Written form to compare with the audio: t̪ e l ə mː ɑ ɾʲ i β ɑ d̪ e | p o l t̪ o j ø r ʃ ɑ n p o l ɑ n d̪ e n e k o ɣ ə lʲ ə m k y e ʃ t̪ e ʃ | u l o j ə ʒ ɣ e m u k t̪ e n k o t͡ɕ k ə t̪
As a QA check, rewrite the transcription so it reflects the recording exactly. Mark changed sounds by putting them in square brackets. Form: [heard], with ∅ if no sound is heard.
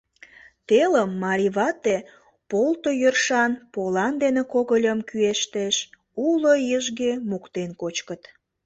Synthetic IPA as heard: t̪ e l ə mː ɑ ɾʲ i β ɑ [t̪] e | p o l t̪ o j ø r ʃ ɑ n p o l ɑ n d̪ e n e k o ɣ ə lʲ ə m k y e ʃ t̪ e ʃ | u l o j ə ʒ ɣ e m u k t̪ e n k o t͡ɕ k ə t̪